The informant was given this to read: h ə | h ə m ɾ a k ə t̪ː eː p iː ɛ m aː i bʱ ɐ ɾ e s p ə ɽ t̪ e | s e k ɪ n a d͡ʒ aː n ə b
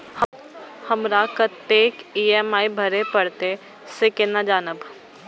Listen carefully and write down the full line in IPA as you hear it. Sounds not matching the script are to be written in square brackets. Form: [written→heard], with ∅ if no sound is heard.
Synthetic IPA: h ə | h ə m ɾ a k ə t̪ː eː [p→k] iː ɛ m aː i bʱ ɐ ɾ e [s→∅] p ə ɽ t̪ e | s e k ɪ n a d͡ʒ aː n ə b